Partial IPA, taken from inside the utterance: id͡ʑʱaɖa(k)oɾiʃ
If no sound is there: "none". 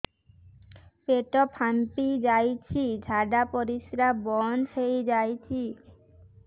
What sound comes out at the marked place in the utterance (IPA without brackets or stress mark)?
p